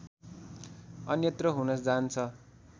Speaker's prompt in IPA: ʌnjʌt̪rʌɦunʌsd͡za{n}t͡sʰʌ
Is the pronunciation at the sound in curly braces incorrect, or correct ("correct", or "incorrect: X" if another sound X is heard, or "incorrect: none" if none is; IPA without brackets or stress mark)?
correct